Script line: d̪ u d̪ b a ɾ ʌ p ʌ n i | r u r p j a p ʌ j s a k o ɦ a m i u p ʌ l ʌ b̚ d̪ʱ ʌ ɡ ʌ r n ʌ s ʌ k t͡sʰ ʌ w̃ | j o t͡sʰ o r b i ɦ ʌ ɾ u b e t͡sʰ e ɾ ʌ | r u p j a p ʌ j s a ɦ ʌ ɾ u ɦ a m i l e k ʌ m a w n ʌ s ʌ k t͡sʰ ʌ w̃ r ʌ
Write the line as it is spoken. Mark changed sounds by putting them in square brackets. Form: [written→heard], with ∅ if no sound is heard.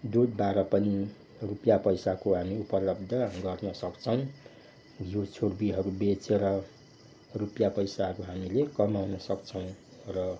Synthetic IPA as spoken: d̪ u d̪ b a ɾ ʌ p ʌ n i | r u [r→∅] p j a p ʌ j s a k o ɦ a m i u p ʌ l ʌ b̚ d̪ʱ ʌ ɡ ʌ r n ʌ s ʌ k t͡sʰ ʌ w̃ | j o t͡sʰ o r b i ɦ ʌ ɾ u b e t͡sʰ e ɾ ʌ | r u p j a p ʌ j s a ɦ ʌ ɾ u ɦ a m i l e k ʌ m a w n ʌ s ʌ k t͡sʰ ʌ w̃ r ʌ